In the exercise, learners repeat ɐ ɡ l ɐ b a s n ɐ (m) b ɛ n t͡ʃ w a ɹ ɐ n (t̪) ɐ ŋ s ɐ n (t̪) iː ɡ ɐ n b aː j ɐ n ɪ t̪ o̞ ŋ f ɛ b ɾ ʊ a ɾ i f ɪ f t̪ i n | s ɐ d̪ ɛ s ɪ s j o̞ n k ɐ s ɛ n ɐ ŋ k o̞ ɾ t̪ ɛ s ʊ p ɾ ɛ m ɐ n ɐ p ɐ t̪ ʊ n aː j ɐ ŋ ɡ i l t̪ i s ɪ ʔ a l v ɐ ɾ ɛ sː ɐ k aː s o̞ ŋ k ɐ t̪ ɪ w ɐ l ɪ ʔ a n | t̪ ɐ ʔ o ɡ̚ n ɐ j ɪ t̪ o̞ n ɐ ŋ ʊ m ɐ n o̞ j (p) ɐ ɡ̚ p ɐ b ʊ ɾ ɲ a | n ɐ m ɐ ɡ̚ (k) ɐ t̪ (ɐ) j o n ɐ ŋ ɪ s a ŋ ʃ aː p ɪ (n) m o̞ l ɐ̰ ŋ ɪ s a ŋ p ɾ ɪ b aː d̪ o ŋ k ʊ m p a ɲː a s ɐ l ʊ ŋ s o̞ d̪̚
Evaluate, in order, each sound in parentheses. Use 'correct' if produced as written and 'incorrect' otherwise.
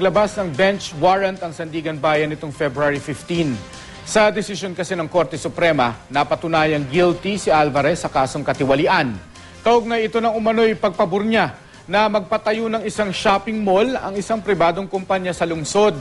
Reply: incorrect, correct, incorrect, correct, incorrect, correct, incorrect

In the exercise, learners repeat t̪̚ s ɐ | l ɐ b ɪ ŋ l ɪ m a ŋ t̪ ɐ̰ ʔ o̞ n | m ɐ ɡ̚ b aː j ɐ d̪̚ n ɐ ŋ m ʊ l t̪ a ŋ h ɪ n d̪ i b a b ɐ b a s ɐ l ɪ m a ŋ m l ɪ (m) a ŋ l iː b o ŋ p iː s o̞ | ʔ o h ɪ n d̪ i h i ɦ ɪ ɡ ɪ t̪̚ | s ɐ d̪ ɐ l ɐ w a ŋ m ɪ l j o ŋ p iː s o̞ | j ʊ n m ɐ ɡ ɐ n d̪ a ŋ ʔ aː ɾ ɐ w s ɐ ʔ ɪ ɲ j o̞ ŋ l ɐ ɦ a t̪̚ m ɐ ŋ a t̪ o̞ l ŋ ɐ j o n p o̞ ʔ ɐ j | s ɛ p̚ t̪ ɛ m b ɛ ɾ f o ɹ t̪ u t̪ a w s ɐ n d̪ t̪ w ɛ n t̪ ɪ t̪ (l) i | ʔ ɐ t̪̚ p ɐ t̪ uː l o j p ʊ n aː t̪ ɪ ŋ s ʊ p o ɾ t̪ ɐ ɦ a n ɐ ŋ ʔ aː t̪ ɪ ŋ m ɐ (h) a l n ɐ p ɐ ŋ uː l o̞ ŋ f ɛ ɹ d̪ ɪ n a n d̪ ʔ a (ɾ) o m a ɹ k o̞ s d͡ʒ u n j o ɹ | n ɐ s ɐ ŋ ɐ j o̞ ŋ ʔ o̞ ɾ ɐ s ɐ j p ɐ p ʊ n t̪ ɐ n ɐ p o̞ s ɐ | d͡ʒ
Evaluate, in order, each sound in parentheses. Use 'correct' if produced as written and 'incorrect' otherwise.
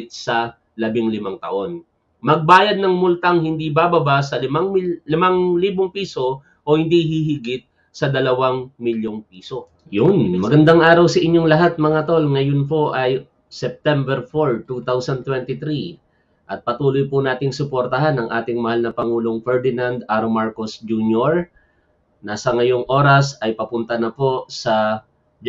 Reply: correct, incorrect, correct, correct

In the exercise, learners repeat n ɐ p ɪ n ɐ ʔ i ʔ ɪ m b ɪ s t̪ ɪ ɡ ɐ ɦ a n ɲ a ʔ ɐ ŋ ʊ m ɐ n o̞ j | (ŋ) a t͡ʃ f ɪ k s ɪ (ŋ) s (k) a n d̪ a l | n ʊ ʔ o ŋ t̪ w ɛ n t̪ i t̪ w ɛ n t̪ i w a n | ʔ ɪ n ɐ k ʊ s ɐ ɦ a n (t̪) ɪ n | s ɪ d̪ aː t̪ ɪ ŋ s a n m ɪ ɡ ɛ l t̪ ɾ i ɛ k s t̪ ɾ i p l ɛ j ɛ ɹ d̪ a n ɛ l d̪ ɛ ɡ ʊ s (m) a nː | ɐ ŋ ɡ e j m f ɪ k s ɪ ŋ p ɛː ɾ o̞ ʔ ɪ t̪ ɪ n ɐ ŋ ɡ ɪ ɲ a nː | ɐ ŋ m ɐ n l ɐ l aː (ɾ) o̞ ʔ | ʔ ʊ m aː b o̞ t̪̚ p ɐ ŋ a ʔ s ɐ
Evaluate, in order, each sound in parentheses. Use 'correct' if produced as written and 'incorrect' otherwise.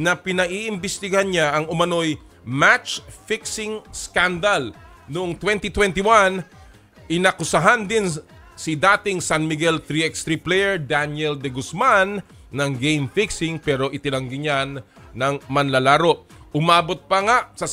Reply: incorrect, correct, correct, incorrect, correct, correct

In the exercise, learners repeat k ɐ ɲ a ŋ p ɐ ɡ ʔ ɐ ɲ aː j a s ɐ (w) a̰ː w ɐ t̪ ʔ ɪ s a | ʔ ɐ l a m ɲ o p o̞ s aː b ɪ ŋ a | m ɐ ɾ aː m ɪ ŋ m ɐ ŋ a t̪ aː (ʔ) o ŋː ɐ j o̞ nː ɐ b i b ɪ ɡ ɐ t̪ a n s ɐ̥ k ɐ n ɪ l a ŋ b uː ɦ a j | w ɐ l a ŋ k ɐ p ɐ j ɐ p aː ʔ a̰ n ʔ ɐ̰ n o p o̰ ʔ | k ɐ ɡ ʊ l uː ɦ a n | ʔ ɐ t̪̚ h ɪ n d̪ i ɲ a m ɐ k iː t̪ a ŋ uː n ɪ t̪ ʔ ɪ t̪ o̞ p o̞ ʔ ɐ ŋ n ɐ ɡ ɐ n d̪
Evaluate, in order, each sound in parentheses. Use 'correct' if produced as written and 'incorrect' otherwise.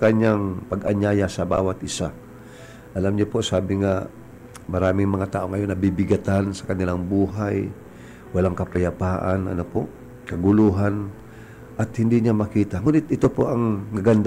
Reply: incorrect, correct

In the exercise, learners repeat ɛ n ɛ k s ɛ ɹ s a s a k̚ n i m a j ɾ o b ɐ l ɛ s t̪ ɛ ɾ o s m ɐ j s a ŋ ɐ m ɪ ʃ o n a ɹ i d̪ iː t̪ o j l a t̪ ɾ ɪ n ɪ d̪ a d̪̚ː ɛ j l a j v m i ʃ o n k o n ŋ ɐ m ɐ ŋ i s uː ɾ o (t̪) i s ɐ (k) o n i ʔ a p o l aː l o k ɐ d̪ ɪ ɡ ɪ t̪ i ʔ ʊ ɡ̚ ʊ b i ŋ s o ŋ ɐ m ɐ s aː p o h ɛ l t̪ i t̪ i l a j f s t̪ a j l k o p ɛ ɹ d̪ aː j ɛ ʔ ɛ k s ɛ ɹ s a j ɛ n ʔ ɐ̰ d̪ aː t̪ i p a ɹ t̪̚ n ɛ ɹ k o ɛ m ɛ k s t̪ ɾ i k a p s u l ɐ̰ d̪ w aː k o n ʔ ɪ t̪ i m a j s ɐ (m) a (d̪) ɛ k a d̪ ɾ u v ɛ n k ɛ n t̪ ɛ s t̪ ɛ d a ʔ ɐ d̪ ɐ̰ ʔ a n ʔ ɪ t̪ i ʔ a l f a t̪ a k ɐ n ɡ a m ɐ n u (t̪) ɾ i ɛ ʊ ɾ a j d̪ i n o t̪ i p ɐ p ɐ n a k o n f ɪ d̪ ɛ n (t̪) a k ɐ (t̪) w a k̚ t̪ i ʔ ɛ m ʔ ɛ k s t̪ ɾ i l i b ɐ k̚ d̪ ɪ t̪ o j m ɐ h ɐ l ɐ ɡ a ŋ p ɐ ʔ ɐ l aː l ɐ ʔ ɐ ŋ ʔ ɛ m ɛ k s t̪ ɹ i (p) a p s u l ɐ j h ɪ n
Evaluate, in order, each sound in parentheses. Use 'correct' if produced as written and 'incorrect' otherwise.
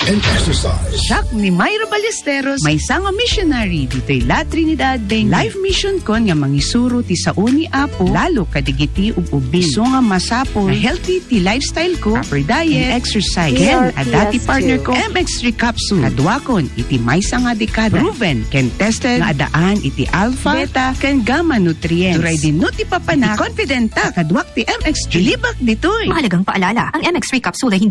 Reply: correct, incorrect, incorrect, correct, correct, correct, incorrect, incorrect

